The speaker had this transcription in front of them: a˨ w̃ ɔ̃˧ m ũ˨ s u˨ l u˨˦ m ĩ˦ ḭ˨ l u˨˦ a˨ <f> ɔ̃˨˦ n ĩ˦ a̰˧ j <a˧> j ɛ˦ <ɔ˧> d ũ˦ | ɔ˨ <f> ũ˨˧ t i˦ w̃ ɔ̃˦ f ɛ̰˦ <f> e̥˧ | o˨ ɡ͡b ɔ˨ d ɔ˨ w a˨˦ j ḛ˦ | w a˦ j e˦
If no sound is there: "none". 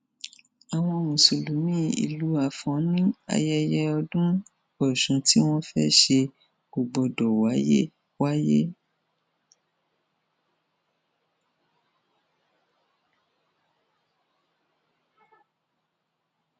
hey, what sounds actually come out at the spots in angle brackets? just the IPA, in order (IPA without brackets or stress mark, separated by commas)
f, ɛ˧, ɔ˧, ʃ, ʃ